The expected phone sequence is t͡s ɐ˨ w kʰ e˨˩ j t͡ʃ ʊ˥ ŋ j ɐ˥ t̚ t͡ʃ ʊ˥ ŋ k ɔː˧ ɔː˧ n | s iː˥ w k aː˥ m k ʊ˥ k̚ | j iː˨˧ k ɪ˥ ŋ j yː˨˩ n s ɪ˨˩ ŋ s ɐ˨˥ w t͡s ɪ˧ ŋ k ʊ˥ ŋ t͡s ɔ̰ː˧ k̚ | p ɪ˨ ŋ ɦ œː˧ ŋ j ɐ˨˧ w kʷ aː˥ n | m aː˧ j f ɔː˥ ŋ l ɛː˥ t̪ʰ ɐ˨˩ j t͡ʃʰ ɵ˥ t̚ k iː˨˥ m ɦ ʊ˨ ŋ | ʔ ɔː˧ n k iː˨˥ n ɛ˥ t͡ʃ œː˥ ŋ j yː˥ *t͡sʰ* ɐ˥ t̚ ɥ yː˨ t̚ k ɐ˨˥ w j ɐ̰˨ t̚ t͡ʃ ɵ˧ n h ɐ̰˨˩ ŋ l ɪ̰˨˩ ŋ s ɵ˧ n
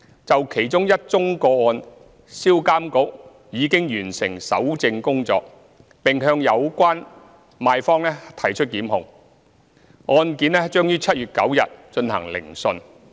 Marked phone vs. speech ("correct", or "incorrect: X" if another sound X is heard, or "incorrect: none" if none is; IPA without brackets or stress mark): correct